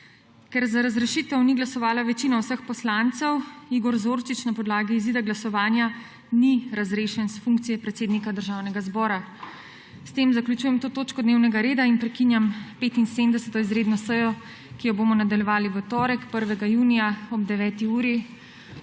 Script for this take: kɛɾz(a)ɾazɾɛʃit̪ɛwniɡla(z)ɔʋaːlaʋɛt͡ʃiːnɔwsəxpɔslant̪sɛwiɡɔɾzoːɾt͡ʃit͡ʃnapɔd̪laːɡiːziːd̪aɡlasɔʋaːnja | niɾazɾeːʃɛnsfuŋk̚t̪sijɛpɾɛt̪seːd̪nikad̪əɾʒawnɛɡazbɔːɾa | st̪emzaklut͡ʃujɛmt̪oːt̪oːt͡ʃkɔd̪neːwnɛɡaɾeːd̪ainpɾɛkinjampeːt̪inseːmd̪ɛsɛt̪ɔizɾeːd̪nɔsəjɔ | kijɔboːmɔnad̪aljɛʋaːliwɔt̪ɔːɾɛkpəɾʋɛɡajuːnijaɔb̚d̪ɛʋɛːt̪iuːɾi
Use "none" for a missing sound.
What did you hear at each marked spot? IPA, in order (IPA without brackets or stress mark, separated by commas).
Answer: a, s